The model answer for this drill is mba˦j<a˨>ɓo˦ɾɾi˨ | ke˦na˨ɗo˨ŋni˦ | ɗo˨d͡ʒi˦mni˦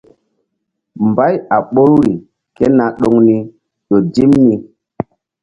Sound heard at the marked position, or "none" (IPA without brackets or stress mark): a˨